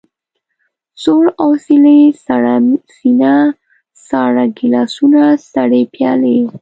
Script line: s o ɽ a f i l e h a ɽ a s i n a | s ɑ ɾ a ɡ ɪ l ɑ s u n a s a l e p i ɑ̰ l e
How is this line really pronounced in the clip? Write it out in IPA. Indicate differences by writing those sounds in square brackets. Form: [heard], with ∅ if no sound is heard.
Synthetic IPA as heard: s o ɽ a [s] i l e [s] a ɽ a s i n a | s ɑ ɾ a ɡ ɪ l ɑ s u n a s a [ɽ] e p [j] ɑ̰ l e